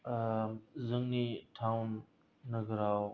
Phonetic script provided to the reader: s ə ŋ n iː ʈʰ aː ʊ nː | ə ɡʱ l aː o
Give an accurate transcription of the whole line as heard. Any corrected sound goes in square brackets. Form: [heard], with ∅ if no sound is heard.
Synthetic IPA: [z] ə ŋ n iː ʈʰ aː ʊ nː | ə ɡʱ [ɾ] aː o